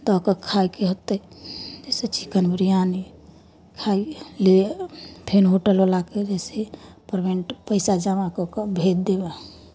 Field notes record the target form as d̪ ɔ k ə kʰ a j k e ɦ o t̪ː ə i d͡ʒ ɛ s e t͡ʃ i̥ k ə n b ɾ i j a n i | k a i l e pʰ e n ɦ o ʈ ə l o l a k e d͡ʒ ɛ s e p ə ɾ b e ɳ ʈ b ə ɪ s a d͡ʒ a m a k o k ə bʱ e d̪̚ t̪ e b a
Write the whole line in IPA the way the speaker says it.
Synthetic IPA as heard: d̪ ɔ k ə kʰ a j k e ɦ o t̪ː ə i d͡ʒ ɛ s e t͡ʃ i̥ k ə n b ɾ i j a n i | kʰ a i l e pʰ e n ɦ o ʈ ə l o l a k e d͡ʒ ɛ s e p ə ɾ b e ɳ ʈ p ə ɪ s a d͡ʒ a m a k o k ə bʱ e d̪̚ d̪ e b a